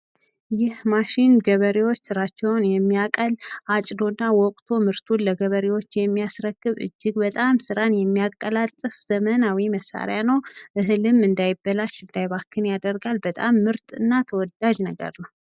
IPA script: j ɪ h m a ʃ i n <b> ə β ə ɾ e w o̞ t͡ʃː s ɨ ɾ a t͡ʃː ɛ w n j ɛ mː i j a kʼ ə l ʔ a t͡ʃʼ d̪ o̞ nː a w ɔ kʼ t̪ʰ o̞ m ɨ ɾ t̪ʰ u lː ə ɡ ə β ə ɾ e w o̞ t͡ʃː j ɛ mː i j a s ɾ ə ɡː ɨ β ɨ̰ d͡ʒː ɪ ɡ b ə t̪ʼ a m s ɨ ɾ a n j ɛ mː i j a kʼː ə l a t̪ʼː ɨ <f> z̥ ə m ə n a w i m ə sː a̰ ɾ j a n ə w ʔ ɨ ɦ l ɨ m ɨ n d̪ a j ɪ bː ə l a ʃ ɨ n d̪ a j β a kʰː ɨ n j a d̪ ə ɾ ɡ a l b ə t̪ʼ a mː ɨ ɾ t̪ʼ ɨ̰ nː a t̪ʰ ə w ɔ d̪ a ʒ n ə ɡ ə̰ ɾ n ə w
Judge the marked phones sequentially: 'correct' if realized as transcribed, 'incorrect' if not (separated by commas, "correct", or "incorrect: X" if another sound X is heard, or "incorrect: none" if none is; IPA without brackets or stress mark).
incorrect: ɡ, correct